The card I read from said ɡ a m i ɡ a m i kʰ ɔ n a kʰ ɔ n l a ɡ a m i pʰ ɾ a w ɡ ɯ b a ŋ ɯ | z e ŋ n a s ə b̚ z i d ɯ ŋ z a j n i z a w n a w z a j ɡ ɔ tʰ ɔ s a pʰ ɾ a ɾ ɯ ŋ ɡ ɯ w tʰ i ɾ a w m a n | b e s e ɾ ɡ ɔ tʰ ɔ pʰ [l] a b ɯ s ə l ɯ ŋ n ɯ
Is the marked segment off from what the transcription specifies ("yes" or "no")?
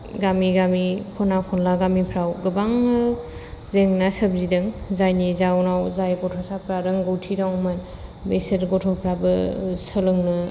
yes